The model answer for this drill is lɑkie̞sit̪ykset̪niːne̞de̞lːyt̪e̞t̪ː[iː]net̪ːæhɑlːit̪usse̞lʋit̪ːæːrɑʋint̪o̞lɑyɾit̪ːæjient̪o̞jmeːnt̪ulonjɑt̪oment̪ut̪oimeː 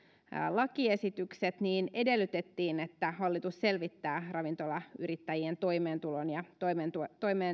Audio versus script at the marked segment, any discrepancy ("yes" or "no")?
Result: no